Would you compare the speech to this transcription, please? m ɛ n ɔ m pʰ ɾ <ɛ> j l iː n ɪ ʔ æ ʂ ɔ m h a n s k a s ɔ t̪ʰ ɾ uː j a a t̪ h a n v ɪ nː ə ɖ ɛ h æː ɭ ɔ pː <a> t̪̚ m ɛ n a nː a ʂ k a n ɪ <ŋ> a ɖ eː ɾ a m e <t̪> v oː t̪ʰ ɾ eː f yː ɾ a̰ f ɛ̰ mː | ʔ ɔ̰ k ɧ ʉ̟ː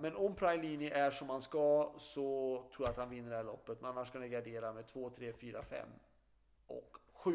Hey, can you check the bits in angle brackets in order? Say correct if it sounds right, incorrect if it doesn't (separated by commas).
incorrect, incorrect, incorrect, incorrect